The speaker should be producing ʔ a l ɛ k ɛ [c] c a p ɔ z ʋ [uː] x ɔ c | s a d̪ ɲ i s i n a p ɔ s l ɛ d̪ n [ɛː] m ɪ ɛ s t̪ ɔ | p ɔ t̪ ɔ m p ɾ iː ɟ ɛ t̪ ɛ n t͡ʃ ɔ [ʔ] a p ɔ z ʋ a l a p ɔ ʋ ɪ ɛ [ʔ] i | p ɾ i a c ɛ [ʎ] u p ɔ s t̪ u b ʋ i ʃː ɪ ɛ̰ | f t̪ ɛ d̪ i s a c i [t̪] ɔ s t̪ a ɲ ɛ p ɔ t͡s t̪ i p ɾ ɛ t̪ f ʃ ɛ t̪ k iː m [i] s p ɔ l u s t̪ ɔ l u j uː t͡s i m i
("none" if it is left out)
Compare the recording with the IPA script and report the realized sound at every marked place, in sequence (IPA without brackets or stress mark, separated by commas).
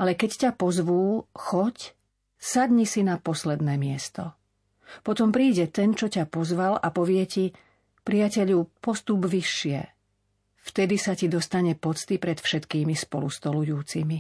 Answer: c, uː, ɛː, c, c, ʎ, d̪, i